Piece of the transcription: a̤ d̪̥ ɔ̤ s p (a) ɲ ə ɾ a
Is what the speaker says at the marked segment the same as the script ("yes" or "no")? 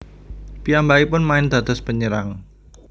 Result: no